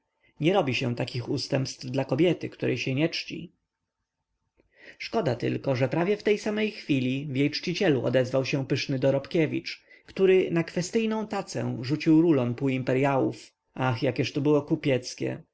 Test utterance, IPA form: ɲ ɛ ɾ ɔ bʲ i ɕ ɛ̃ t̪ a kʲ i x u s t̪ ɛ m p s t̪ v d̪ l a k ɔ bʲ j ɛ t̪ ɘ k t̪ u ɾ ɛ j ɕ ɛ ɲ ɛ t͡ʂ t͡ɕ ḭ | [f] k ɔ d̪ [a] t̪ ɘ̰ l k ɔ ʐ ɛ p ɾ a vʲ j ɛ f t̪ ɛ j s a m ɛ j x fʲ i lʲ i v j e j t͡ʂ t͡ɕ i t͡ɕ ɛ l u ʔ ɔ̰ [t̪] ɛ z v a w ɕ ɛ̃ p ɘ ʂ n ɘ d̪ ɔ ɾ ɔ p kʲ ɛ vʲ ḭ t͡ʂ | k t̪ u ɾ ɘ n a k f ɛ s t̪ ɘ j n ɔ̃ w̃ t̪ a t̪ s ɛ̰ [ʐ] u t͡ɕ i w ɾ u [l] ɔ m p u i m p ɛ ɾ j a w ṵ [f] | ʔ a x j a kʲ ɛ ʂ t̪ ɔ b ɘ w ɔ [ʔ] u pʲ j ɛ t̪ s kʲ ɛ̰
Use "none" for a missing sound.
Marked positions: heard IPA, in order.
ʂ, a, d̪, ʐ, l, f, k

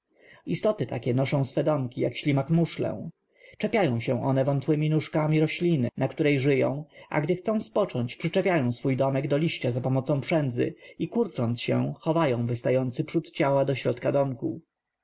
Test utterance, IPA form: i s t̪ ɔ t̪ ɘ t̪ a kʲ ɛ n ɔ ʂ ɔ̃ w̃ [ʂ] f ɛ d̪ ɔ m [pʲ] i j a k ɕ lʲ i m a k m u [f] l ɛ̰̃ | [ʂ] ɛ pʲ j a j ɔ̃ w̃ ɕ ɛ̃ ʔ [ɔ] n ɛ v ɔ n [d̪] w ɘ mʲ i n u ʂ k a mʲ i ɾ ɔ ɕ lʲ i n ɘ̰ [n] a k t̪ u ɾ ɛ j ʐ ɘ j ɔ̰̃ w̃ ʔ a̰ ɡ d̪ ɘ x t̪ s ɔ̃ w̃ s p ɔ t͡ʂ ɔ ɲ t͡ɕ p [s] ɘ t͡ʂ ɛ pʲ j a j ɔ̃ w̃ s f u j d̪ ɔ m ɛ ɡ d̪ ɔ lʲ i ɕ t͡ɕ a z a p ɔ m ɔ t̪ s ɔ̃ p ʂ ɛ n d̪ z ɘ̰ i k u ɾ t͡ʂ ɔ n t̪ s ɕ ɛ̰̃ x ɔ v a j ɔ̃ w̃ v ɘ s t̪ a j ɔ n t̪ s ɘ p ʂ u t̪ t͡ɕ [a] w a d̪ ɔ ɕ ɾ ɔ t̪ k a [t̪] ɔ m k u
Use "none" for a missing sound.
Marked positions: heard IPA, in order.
s, kʲ, ʂ, t͡ʂ, ɔ, t̪, n, ʂ, a, d̪

